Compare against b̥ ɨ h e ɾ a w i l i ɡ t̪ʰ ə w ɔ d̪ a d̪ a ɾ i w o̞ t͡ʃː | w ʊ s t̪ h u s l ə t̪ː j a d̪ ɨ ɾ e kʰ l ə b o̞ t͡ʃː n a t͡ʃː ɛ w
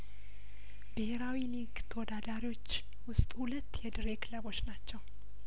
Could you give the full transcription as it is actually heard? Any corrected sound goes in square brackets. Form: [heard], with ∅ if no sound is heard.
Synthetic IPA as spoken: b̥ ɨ h e ɾ a w i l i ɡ t̪ʰ ə w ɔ d̪ a d̪ a ɾ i w o̞ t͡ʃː | w ʊ s [t̪ʼ] h u [∅] l ə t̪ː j [ɛ] d̪ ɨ ɾ e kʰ l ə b o̞ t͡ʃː n a t͡ʃː ɛ w